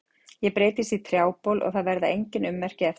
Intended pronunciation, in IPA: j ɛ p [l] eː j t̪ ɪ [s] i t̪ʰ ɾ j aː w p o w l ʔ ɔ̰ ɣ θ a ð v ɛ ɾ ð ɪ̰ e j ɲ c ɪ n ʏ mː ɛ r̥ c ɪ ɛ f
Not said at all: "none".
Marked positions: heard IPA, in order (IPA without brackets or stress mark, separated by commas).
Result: ɾ, s